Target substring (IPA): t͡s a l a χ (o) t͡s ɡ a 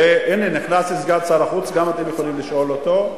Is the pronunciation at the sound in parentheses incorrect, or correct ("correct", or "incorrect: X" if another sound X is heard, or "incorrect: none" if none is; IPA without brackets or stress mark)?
incorrect: u